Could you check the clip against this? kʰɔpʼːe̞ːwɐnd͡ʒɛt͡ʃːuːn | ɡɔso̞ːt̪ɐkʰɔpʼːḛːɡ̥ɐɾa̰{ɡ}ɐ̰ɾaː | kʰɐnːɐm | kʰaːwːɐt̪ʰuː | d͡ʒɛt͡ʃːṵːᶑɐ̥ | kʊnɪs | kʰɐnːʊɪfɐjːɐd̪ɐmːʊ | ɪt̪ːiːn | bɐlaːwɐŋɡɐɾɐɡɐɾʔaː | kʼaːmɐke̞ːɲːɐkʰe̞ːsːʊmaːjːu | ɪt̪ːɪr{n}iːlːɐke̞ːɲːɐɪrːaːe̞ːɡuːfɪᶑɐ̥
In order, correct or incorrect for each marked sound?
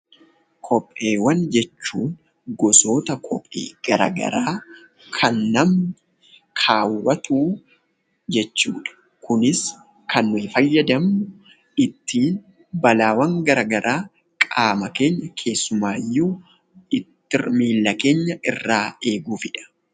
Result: correct, incorrect

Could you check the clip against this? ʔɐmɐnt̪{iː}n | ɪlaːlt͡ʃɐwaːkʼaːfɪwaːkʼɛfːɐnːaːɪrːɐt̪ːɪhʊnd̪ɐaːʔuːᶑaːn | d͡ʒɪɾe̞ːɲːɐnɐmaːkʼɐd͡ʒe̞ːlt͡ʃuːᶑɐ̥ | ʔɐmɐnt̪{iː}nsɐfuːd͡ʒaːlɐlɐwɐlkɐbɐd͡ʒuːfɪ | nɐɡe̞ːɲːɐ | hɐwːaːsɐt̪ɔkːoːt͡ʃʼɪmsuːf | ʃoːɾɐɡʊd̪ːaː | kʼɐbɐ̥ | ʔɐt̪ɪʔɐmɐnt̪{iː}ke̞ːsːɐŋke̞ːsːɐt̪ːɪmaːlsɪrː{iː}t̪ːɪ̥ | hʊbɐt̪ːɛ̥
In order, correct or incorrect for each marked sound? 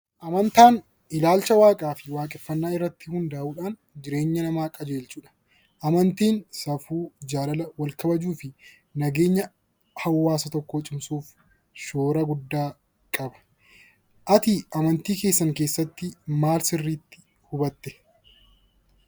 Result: incorrect, correct, correct, correct

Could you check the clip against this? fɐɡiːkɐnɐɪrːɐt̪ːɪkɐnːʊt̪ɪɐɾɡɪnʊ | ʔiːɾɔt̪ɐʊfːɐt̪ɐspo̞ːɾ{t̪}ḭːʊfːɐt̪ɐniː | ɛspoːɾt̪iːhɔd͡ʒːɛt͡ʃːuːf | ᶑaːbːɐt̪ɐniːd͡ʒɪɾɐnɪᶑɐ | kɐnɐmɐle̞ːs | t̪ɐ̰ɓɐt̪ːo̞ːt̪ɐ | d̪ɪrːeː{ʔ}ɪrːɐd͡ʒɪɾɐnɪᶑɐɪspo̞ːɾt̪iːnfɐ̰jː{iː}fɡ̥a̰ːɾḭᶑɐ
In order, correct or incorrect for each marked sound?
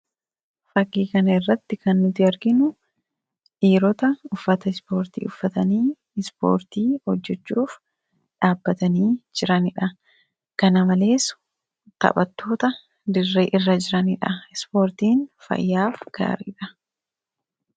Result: correct, correct, incorrect

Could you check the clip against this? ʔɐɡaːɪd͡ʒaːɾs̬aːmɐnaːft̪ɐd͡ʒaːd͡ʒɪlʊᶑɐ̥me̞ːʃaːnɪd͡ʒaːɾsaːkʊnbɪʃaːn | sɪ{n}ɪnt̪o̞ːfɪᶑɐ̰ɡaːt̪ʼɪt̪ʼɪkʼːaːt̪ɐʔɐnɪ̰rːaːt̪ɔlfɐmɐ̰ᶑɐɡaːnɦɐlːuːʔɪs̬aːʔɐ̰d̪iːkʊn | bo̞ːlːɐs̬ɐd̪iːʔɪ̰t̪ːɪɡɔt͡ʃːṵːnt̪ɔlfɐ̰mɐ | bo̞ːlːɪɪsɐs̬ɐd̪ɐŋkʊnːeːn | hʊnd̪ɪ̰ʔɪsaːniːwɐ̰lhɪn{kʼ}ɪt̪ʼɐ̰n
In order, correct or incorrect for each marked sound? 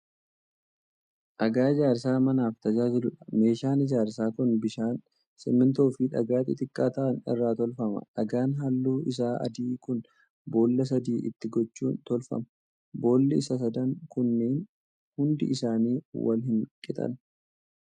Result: incorrect, correct

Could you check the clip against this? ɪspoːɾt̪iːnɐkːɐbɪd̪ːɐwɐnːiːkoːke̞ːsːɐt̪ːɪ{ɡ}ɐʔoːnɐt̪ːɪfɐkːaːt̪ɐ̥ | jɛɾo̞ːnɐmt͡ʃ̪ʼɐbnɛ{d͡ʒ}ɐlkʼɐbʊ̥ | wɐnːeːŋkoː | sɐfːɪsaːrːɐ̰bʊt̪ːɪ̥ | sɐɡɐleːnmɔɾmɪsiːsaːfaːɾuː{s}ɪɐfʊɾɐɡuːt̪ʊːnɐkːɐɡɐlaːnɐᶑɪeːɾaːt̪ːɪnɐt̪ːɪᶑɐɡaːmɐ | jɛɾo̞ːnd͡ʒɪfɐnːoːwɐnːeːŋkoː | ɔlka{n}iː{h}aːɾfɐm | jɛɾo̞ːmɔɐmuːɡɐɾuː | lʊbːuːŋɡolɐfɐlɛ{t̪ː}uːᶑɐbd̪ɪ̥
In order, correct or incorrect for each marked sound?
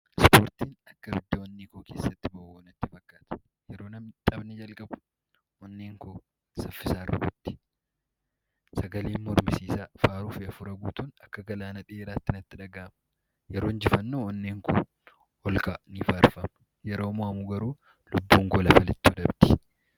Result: incorrect, correct, incorrect, correct, incorrect, correct

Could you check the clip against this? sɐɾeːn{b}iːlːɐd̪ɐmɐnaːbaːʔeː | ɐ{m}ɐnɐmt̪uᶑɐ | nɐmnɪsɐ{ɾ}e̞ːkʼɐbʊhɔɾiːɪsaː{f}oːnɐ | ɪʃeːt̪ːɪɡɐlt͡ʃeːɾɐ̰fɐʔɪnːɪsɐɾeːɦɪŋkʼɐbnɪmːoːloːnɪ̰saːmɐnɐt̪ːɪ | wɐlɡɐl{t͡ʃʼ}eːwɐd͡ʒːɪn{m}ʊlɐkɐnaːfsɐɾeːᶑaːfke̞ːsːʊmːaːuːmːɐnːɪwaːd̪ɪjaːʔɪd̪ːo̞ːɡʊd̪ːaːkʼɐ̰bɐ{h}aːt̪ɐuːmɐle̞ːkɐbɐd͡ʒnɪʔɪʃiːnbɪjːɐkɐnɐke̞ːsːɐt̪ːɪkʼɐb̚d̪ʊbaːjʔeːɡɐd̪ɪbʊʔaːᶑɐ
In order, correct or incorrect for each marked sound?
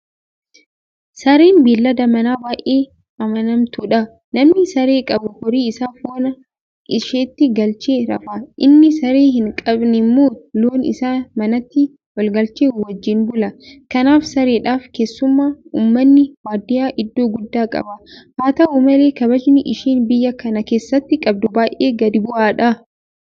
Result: correct, correct, correct, correct, incorrect, incorrect, correct

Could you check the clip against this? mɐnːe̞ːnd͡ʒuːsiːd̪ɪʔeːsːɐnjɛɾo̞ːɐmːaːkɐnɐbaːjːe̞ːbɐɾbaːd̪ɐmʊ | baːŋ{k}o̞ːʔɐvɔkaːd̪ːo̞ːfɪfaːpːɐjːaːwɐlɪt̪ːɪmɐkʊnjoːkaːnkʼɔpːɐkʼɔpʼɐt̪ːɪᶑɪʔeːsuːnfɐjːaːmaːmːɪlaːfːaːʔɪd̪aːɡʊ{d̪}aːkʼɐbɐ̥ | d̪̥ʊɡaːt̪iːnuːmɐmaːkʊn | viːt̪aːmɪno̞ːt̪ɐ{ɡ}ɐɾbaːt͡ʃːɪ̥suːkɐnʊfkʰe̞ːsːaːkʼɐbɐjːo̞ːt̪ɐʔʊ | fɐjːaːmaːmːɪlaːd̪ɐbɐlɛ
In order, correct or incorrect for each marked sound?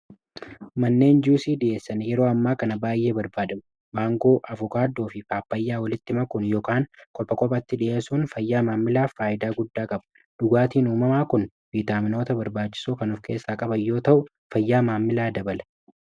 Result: incorrect, incorrect, incorrect

